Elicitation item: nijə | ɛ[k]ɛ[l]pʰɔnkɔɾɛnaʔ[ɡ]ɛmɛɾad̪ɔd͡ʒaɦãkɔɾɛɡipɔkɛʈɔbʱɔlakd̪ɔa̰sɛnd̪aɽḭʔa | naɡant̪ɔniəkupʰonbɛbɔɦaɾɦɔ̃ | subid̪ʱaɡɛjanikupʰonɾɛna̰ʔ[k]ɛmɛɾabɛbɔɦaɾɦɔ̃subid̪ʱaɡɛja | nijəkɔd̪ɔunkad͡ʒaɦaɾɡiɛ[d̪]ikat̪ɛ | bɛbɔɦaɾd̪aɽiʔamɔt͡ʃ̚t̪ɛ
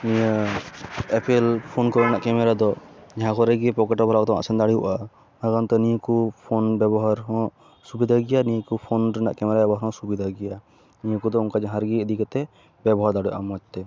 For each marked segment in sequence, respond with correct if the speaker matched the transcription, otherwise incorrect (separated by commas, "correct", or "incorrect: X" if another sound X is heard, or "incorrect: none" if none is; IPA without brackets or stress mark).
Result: incorrect: p, correct, incorrect: k, correct, correct